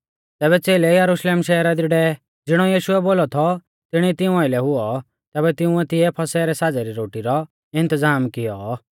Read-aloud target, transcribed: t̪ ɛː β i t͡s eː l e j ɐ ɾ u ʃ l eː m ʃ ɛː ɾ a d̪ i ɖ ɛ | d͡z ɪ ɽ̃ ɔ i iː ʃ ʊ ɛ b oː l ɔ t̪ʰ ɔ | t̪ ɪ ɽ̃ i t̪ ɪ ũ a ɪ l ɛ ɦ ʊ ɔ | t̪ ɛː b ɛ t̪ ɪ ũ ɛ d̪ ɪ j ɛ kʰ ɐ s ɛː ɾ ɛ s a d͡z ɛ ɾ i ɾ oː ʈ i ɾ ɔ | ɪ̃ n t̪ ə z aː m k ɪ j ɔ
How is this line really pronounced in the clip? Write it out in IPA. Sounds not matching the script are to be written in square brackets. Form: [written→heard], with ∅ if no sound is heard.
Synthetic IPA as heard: t̪ ɛː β [i→ɛ] t͡s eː l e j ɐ ɾ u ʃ l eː m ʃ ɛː ɾ a d̪ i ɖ ɛ | d͡z ɪ ɽ̃ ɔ [i→j] iː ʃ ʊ ɛ b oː l ɔ t̪ʰ ɔ | t̪ ɪ ɽ̃ i t̪ ɪ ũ a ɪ l ɛ ɦ ʊ ɔ | t̪ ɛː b ɛ t̪ ɪ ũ ɛ [d̪→t̪] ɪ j ɛ [kʰ→pʰ] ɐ s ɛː ɾ ɛ s a d͡z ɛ ɾ i ɾ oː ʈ i ɾ ɔ | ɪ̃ n t̪ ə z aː m k ɪ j ɔ